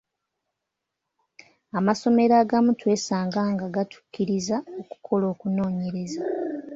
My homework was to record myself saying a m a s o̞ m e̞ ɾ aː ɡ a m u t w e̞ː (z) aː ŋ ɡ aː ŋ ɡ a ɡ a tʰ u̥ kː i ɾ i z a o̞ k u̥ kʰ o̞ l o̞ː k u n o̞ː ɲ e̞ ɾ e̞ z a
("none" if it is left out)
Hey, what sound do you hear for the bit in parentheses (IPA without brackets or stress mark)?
s